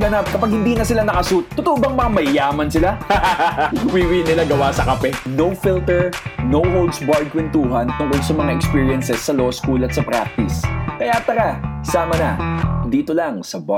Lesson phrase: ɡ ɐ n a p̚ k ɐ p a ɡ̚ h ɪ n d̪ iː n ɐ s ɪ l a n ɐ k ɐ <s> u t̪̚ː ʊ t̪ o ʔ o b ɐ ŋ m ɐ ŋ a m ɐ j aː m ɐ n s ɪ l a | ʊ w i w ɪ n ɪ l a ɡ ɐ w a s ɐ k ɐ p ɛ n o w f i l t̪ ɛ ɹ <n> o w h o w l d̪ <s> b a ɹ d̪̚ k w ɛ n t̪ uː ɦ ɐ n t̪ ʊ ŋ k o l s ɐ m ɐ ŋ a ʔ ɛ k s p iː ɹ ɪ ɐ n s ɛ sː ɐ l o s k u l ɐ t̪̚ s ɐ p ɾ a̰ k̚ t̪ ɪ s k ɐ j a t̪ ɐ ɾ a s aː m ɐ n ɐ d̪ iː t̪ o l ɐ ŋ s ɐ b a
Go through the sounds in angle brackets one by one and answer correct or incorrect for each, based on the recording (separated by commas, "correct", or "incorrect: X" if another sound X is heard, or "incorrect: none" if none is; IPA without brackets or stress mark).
correct, correct, correct